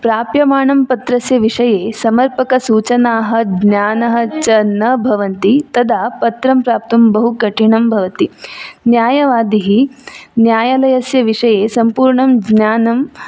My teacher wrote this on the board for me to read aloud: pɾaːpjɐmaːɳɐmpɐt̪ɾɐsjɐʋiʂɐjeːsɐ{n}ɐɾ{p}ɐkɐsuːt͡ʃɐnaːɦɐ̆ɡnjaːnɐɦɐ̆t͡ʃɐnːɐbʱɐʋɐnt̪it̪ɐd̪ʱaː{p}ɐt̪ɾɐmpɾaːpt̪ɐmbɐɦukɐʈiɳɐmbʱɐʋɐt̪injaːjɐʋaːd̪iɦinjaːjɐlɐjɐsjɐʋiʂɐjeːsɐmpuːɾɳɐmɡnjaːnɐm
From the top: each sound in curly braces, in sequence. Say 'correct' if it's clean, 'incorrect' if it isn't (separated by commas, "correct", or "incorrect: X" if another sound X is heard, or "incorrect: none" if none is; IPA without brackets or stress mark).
incorrect: m, correct, correct